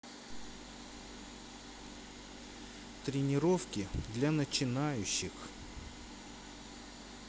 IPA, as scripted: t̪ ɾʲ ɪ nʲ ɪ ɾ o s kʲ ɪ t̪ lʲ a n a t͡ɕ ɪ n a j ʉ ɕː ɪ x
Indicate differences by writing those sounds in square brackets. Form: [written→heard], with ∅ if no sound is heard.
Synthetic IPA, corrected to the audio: t̪ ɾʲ ɪ nʲ ɪ ɾ o [s→f] kʲ ɪ [t̪→d̪] lʲ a n [a→ə] t͡ɕ ɪ n a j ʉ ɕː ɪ x